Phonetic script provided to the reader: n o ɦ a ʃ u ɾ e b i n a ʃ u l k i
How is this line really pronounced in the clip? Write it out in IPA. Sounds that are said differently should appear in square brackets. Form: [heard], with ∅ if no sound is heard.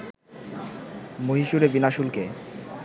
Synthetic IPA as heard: [m] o ɦ [i] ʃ u ɾ e b i n a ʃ u l k [e]